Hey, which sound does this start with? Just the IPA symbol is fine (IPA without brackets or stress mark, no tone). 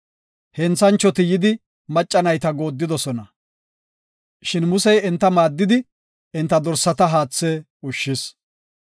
h